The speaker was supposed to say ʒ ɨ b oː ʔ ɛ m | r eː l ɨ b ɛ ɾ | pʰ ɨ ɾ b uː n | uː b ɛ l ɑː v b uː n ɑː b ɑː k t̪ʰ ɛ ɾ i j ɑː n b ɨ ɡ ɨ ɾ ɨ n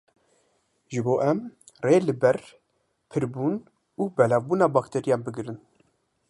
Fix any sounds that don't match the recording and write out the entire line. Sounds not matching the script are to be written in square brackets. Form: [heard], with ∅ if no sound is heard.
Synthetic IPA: ʒ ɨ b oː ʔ ɛ m | r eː l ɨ b ɛ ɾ | pʰ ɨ ɾ b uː n | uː b ɛ l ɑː v b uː n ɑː b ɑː k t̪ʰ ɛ ɾ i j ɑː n b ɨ ɡ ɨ ɾ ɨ n